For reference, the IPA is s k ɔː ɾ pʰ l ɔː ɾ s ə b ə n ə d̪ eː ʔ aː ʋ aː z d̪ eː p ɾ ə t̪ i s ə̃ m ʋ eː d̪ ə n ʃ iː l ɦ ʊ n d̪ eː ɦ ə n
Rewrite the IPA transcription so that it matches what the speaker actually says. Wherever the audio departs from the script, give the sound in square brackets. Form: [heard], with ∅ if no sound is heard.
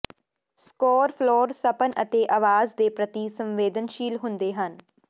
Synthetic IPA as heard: s k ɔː ɾ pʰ l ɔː ɾ s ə [p] ə n ə [t̪] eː ʔ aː ʋ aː z d̪ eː p ɾ ə t̪ i s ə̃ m ʋ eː d̪ ə n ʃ iː l ɦ ʊ n d̪ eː ɦ ə n